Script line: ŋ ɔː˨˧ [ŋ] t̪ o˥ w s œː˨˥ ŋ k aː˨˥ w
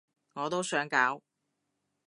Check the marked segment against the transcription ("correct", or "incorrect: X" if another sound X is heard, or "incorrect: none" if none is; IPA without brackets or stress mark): incorrect: none